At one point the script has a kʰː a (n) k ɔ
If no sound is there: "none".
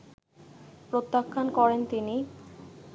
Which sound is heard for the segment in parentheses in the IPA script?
n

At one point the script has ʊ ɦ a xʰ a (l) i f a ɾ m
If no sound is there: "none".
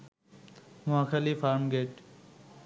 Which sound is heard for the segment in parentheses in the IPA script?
l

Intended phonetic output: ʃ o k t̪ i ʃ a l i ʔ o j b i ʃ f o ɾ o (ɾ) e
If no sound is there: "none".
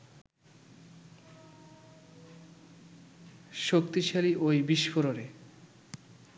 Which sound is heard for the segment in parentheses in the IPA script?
ɾ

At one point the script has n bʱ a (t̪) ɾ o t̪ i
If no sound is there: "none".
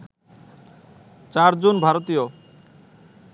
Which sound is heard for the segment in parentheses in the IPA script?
none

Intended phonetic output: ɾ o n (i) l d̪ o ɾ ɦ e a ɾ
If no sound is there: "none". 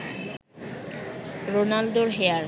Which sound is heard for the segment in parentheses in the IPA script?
a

